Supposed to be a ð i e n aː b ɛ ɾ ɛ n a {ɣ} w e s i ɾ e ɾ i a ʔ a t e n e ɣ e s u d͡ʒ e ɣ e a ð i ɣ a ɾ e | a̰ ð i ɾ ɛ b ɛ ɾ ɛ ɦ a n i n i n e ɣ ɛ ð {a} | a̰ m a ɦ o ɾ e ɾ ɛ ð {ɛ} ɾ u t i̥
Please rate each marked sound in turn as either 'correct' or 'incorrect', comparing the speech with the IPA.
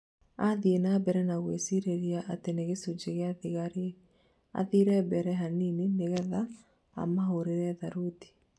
correct, correct, incorrect: a

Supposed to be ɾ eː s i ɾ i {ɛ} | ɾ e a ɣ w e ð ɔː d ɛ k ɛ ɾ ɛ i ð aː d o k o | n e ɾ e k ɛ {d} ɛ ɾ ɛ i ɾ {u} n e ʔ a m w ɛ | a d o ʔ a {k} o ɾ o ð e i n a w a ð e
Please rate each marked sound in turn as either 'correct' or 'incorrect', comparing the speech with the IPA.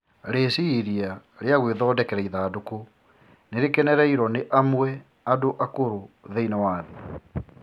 incorrect: a, incorrect: n, incorrect: ɔ, correct

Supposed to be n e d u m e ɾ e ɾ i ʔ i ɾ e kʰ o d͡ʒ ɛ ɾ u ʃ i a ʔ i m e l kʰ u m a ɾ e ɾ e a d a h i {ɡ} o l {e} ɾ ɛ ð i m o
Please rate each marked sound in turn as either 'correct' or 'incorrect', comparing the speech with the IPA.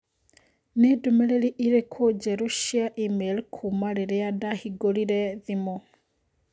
correct, incorrect: i

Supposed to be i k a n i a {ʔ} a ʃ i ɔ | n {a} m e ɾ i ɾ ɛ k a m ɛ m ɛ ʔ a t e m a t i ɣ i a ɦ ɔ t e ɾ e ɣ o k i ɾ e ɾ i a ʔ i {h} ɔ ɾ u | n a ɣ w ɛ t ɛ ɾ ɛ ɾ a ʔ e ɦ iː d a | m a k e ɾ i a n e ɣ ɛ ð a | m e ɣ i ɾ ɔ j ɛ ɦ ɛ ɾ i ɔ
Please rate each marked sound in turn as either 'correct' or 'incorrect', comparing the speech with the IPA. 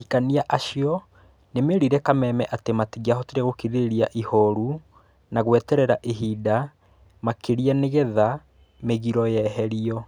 correct, incorrect: e, correct

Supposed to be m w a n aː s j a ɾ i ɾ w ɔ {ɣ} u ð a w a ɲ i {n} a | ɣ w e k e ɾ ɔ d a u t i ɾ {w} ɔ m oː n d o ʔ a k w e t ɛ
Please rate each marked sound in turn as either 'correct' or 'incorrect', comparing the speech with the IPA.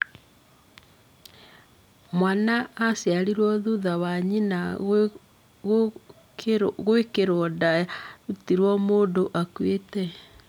incorrect: ð, correct, correct

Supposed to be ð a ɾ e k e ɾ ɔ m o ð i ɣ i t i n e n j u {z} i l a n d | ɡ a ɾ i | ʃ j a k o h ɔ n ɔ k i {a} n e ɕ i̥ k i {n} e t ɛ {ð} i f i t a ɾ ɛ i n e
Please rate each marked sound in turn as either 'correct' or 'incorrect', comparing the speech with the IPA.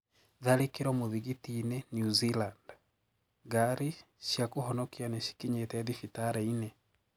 correct, correct, incorrect: ɲ, correct

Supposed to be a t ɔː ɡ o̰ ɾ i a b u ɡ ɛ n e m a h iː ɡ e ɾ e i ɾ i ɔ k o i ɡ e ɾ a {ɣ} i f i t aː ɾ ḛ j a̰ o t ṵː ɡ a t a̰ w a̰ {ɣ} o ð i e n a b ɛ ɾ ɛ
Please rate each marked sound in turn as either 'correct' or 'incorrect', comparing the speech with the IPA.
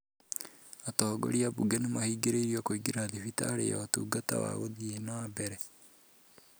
incorrect: ð, correct

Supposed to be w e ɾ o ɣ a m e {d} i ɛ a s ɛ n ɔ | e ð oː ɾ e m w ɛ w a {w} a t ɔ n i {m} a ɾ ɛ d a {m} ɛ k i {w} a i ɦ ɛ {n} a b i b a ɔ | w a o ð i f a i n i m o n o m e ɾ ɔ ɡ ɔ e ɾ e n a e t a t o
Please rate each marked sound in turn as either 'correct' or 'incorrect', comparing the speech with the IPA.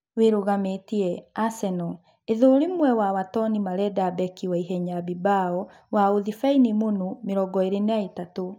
incorrect: t, correct, correct, incorrect: b, correct, incorrect: ɲ

